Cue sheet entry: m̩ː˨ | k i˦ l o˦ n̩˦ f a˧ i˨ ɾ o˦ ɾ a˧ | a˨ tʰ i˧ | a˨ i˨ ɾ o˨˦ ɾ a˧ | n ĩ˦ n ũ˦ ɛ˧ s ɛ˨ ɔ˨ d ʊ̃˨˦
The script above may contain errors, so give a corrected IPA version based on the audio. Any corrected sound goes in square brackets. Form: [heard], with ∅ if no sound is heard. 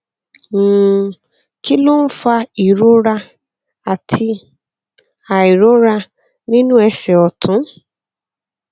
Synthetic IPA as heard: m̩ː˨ | k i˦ l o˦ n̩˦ f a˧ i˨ ɾ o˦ ɾ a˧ | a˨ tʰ i˧ | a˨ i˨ ɾ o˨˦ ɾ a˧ | n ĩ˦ n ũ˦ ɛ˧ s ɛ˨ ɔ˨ [t] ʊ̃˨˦